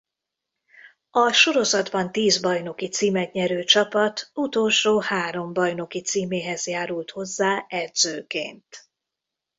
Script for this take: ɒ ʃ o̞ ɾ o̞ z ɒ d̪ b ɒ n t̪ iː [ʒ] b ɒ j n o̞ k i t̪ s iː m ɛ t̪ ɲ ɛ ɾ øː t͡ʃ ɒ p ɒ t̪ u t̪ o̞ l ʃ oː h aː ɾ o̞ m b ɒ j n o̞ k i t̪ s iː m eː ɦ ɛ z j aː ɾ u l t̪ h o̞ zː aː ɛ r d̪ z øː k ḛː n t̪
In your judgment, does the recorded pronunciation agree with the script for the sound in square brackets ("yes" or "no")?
no